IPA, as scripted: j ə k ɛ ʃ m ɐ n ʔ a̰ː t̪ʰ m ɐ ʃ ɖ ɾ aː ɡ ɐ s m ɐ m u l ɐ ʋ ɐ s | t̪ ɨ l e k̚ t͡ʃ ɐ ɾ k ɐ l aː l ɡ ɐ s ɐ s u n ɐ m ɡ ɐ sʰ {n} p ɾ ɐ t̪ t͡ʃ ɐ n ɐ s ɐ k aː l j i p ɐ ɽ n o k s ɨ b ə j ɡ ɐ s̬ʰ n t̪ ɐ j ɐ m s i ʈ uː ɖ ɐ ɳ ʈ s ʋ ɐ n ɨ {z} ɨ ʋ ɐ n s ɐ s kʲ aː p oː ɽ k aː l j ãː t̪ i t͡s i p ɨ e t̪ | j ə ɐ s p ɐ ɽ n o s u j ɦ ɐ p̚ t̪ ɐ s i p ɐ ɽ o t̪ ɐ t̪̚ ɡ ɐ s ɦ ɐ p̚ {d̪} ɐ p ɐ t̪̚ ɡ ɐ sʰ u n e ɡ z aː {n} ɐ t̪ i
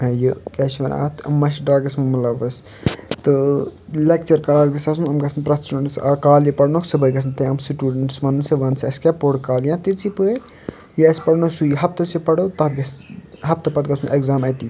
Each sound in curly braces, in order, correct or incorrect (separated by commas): correct, incorrect, incorrect, incorrect